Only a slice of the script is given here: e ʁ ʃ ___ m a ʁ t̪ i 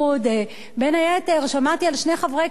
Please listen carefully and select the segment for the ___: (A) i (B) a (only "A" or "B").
B